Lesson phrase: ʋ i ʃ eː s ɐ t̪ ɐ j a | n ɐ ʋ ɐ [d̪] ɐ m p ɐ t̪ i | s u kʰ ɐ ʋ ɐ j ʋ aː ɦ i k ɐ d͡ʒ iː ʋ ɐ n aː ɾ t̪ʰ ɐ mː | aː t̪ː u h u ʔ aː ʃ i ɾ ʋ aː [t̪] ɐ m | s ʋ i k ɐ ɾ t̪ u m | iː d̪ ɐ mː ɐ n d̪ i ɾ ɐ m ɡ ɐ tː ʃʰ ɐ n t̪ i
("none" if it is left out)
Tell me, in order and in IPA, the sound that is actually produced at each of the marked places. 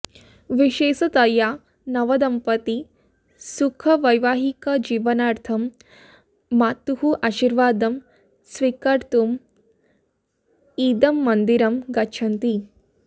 d̪, d̪

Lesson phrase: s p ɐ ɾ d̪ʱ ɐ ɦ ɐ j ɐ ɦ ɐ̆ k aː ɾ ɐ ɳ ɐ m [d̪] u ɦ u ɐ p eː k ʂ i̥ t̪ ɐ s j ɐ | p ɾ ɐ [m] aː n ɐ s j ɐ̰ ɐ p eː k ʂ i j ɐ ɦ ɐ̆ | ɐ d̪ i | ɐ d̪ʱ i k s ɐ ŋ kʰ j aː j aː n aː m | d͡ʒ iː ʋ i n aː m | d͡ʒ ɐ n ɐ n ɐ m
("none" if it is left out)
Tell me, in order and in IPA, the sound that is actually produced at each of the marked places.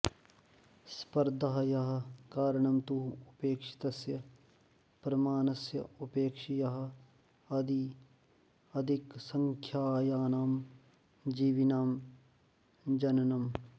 t̪, m

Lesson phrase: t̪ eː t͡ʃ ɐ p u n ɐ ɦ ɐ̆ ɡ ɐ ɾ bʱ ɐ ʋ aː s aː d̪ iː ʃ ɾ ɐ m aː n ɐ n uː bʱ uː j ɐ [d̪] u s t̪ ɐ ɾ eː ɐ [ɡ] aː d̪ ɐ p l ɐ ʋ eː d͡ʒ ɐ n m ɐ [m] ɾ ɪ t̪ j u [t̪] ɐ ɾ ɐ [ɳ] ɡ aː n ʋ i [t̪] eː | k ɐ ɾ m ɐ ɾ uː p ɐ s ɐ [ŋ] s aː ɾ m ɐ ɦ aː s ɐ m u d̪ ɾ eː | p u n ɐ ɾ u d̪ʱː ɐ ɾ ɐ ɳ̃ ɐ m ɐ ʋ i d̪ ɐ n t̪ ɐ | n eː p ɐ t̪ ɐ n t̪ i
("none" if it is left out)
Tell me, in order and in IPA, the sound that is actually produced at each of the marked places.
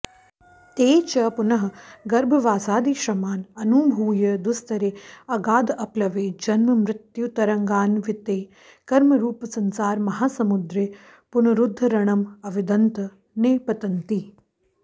d̪, ɡ, m, t̪, ŋ, t̪, n

